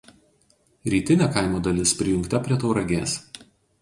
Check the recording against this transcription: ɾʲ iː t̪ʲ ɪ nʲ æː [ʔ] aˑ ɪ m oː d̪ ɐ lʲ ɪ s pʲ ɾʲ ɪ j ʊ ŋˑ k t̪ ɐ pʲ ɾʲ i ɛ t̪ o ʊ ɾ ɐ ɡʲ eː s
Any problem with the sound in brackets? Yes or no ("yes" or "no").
yes